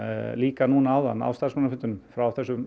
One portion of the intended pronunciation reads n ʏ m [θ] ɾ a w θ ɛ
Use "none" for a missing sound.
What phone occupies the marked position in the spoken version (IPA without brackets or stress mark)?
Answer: f